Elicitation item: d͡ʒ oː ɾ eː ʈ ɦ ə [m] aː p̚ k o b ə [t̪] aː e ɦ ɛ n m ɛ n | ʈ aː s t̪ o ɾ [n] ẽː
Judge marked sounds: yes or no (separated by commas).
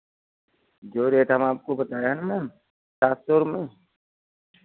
yes, yes, no